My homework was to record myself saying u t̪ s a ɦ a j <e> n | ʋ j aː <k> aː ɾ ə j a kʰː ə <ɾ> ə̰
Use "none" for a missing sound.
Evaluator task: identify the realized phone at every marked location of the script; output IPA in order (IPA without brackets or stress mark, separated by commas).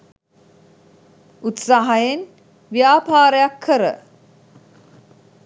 e, p, ɾ